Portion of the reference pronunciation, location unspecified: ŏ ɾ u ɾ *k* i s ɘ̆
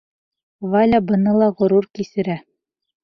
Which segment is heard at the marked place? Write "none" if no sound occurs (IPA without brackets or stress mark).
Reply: k